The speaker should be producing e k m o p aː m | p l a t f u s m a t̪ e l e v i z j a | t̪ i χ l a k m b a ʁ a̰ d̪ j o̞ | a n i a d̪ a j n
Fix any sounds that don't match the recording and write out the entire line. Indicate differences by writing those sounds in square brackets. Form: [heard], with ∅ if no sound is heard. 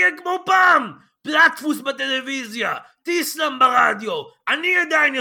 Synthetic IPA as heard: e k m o p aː m | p l a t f u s [b] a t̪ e l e v i z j a | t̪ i [s] l a [∅] m b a ʁ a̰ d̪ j o̞ | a n i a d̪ a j n